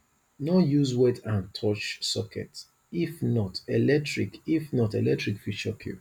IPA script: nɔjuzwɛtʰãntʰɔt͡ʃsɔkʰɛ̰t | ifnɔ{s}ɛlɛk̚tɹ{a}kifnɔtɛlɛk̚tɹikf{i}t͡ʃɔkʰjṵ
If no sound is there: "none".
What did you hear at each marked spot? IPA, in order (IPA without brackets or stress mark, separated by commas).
t, i, i